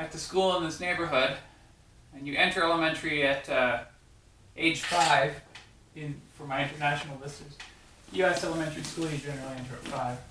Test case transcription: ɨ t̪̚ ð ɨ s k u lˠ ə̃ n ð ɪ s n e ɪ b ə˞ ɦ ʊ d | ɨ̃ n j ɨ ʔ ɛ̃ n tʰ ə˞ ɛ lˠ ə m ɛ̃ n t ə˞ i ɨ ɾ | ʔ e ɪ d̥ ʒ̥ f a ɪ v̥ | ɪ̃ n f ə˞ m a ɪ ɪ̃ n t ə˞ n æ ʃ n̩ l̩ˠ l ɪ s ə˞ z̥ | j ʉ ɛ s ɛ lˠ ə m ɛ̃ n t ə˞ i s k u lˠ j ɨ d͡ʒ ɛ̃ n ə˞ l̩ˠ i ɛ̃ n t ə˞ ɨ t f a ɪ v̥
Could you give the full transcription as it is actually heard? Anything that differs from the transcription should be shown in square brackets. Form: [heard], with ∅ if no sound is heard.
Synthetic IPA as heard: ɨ t̪̚ ð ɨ s k u lˠ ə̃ n ð ɪ s n e ɪ b ə˞ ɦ ʊ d | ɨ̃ n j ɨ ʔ ɛ̃ n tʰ ə˞ ɛ lˠ ə m ɛ̃ n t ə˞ i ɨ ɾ | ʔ e ɪ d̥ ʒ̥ f a ɪ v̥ | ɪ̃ n f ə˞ m a ɪ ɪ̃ n t ə˞ n æ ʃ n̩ l̩ˠ l ɪ s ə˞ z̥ | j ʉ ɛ s ɛ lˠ ə m ɛ̃ n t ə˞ i s k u lˠ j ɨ d͡ʒ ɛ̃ n ə˞ l̩ˠ i ɛ̃ n t ə˞ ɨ t f a ɪ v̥